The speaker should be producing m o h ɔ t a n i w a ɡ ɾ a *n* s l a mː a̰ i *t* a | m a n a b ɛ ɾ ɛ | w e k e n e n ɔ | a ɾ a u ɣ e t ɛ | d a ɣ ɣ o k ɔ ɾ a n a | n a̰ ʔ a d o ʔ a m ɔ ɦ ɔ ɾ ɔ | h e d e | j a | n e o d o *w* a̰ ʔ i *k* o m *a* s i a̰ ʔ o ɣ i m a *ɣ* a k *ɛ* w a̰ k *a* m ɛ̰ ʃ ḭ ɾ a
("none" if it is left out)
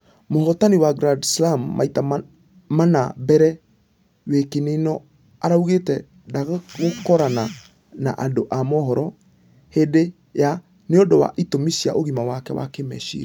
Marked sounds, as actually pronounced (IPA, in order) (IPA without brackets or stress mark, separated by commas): d, t, w, t, i, w, ɛ, e